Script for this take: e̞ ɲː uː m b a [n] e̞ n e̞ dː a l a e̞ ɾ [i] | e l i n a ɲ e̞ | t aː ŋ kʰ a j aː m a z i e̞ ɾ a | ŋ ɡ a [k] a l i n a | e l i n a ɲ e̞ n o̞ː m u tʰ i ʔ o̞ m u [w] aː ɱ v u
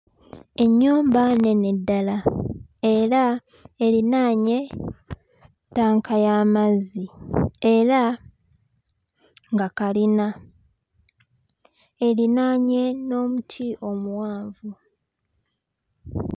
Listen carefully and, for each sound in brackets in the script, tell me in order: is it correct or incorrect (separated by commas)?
correct, incorrect, correct, correct